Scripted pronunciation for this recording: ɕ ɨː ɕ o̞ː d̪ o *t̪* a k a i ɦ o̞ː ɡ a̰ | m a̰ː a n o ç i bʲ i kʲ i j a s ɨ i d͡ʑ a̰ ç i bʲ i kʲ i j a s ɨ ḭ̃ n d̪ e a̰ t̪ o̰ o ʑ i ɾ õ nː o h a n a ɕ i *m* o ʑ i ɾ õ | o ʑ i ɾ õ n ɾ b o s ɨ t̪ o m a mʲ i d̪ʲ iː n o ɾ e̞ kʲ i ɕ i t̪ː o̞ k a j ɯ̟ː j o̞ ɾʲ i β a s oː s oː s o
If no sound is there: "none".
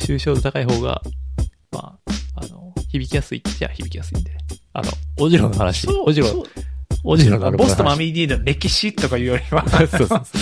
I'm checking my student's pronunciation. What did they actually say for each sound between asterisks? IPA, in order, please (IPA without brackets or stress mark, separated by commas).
t̪, none